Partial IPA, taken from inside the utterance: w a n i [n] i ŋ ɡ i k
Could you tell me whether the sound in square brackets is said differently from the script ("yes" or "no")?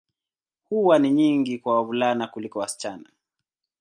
yes